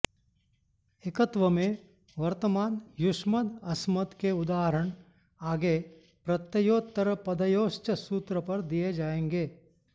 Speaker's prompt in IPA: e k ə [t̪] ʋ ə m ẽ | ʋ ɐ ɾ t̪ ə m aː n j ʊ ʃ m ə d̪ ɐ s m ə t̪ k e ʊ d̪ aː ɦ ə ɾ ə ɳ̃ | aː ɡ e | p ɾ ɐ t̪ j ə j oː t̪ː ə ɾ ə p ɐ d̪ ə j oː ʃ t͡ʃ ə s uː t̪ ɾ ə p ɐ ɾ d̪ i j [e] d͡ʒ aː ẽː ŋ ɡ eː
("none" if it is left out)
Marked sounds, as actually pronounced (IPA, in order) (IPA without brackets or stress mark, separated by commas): t̪, e